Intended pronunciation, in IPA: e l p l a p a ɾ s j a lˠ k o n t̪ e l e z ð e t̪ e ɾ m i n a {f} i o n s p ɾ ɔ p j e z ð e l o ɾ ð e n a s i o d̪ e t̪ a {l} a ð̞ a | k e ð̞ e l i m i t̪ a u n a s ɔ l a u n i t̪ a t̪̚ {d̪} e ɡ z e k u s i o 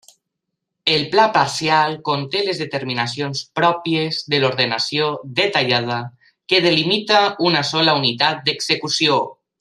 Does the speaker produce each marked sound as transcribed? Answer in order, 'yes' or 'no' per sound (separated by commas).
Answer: no, no, yes